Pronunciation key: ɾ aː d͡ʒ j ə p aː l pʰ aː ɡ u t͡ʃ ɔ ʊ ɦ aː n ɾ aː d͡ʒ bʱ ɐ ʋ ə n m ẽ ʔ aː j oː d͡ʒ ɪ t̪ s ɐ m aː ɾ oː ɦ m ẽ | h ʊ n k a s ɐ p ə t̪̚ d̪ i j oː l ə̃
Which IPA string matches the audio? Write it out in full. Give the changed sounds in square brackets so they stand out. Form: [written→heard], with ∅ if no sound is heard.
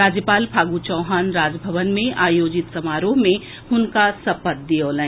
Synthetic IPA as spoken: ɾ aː d͡ʒ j ə p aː l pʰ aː ɡ u t͡ʃ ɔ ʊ ɦ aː n ɾ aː d͡ʒ bʱ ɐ ʋ ə n m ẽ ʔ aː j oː d͡ʒ ɪ t̪ s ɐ m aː ɾ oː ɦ m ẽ | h ʊ n k a s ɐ p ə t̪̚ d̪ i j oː l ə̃